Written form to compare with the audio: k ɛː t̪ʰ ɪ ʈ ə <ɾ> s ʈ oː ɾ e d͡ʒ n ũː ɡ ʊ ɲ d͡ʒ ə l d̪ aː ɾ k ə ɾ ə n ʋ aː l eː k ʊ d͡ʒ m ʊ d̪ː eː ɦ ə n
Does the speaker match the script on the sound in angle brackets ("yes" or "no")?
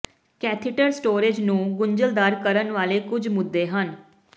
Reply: yes